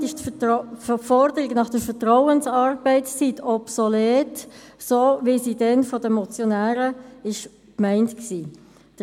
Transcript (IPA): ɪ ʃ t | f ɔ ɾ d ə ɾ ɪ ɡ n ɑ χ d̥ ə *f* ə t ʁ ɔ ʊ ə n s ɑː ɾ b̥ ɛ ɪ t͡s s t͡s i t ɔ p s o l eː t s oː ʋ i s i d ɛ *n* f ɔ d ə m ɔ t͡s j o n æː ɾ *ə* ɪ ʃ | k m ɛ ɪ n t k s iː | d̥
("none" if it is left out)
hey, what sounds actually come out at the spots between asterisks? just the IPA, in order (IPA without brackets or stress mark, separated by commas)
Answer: f, n, ə